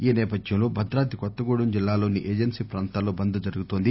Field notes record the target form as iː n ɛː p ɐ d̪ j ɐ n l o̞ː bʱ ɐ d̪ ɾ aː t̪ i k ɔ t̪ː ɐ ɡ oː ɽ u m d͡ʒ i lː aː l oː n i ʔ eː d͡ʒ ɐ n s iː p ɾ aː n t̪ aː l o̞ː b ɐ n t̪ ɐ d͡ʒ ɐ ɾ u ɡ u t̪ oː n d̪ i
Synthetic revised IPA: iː n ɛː p ɐ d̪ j ɐ m l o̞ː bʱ ɐ d̪ ɾ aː t̪ i k ɔ t̪ː ɐ ɡ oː ɽ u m d͡ʒ i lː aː l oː n i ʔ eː d͡ʒ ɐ n s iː p ɾ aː n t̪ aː l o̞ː b ɐ n d̪ ɐ d͡ʒ ɐ ɾ u ɡ u t̪ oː n d̪ i